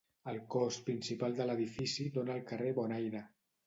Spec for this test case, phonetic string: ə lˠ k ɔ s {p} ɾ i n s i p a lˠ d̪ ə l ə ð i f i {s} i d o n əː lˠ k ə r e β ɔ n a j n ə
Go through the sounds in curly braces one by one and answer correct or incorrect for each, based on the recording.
correct, correct

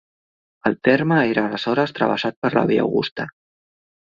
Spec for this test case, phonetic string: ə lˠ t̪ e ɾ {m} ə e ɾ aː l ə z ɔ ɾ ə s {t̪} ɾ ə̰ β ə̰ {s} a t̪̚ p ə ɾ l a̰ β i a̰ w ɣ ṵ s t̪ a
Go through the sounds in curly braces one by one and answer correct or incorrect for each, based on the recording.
correct, correct, correct

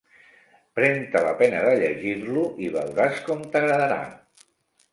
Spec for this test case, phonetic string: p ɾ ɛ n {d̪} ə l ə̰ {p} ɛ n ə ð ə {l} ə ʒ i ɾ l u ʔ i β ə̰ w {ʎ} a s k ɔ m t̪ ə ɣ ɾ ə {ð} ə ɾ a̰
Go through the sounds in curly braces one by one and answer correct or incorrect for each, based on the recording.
incorrect, correct, incorrect, incorrect, correct

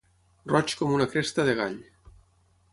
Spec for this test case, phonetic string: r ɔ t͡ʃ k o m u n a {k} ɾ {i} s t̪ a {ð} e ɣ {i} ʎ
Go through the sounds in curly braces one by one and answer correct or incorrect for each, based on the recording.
correct, incorrect, correct, incorrect

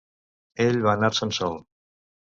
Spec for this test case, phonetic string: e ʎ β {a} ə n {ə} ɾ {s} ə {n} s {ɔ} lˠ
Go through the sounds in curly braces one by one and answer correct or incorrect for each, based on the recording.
correct, incorrect, correct, correct, correct

